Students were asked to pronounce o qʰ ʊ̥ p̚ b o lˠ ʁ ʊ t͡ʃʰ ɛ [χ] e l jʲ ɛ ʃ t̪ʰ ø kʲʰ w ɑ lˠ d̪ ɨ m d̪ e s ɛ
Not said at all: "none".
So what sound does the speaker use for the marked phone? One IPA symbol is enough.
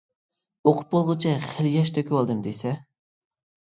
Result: χ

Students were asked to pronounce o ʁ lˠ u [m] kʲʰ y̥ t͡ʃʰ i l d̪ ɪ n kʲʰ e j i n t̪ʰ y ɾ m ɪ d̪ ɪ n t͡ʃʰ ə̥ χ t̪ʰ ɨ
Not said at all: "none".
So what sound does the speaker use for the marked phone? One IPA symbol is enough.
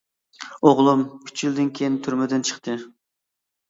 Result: m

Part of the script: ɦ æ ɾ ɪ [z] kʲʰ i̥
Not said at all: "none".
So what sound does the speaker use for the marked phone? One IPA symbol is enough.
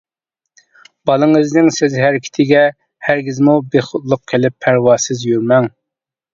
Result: none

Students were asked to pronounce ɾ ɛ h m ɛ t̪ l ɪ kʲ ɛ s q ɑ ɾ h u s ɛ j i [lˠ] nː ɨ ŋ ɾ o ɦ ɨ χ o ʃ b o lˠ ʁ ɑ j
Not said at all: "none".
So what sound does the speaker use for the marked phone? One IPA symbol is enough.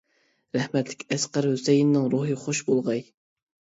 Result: none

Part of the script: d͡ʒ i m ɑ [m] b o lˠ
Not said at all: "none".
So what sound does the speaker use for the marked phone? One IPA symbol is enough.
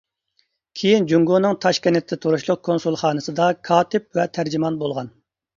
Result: n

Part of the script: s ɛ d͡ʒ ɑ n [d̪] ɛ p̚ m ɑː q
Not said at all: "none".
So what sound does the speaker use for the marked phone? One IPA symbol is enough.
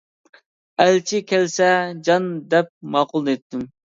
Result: d̪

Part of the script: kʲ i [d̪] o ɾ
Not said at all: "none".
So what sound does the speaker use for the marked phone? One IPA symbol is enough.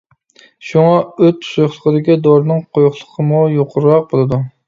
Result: d̪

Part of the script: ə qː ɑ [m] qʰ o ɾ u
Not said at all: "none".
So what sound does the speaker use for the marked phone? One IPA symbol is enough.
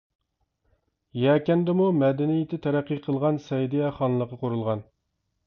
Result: none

